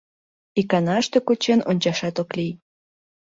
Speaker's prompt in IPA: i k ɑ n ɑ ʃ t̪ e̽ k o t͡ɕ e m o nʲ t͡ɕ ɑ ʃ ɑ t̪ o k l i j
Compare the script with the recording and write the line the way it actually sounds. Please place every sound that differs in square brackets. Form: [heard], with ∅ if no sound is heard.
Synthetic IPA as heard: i k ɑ n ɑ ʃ t̪ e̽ k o t͡ɕ e [n] o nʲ t͡ɕ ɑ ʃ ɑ t̪ o k l i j